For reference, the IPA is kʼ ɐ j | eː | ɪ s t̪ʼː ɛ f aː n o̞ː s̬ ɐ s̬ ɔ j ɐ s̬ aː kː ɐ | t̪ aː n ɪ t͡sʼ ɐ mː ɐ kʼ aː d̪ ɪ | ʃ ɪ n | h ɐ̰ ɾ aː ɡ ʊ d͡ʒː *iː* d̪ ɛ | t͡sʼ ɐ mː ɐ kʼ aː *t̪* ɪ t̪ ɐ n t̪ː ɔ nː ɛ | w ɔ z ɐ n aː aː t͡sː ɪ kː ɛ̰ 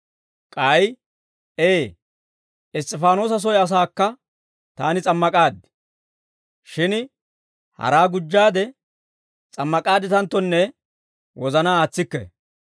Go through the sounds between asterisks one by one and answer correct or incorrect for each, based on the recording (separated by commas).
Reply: incorrect, incorrect